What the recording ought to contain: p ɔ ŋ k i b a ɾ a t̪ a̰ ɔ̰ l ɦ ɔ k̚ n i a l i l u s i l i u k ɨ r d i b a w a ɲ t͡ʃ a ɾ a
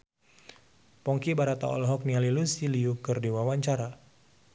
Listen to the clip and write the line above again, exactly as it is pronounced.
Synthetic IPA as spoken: p ɔ ŋ k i b a ɾ a t̪ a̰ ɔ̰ l ɦ ɔ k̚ n i a l i l u s i l i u k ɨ r d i w a w a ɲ t͡ʃ a ɾ a